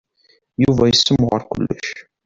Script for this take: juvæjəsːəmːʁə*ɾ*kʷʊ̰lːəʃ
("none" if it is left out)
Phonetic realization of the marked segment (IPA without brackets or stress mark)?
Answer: ɾ